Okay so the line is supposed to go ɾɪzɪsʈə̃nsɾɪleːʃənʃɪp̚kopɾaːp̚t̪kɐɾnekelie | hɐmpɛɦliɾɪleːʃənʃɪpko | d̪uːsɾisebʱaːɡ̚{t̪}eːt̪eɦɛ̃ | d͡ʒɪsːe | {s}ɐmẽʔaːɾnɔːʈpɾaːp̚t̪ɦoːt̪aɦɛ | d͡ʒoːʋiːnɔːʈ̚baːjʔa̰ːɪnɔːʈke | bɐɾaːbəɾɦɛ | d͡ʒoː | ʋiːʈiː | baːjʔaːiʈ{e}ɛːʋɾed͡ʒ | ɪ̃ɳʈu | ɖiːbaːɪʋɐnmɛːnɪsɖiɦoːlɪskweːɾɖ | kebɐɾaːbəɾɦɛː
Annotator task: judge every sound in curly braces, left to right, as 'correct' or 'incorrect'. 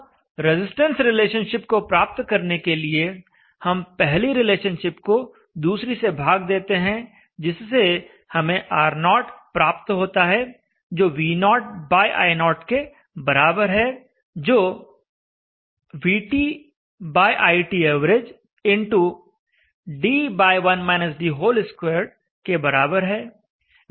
incorrect, incorrect, incorrect

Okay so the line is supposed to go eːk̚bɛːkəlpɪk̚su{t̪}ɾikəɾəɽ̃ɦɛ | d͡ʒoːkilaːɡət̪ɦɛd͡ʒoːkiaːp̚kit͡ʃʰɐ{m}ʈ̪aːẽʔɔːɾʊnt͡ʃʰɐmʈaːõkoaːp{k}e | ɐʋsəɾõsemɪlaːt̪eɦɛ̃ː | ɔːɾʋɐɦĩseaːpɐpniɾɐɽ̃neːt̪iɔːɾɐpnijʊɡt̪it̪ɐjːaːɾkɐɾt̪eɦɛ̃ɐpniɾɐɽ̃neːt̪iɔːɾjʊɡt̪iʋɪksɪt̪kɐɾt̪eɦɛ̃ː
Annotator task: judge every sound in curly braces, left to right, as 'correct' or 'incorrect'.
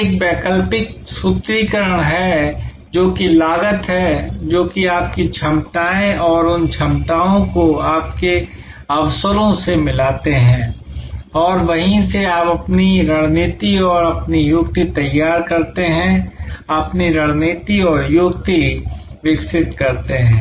correct, correct, correct

